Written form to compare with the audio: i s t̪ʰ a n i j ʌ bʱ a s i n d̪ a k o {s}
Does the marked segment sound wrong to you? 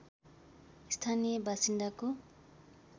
yes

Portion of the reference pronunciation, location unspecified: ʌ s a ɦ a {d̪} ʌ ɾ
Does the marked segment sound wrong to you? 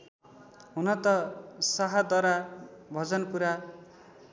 no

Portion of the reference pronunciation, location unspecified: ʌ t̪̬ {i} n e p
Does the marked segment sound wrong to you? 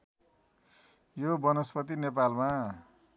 no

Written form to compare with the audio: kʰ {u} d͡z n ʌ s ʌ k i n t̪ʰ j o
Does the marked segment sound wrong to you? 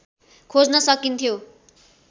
yes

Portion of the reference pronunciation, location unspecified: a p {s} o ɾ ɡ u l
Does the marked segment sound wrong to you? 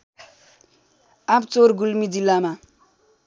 yes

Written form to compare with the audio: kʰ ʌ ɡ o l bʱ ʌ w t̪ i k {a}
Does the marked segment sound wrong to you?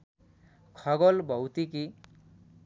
yes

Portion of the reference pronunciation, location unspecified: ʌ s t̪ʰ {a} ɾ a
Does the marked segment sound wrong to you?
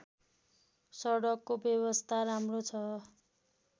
no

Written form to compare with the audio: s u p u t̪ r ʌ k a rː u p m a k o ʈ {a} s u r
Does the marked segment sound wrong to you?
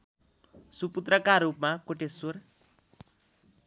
yes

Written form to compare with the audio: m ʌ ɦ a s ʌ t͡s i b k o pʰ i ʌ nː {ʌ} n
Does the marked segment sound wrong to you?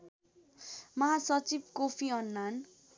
yes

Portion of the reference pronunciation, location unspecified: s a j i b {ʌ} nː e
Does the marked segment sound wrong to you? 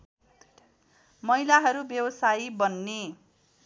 no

